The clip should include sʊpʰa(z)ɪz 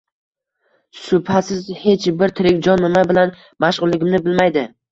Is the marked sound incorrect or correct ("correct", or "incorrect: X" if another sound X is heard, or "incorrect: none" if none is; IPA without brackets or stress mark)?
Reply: incorrect: s